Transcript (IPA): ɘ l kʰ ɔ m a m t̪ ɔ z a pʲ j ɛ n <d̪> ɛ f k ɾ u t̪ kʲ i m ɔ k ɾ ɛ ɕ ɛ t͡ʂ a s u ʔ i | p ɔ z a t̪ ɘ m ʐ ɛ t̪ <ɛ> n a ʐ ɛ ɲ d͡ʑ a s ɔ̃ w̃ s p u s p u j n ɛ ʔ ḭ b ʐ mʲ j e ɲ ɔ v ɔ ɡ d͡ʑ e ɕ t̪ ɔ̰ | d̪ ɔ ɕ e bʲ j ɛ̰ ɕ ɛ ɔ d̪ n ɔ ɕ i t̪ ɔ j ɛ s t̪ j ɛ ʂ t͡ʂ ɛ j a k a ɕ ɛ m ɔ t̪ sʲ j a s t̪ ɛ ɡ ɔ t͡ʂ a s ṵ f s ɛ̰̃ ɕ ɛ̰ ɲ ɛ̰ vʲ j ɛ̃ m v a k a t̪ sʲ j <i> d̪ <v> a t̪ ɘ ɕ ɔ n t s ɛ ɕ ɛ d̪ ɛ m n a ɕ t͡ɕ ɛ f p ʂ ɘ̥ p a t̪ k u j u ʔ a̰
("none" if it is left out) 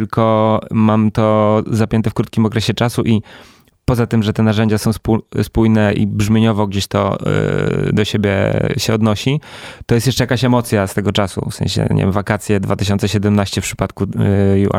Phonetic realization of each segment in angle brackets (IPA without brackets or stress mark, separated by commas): t̪, ɛ, ɛ, v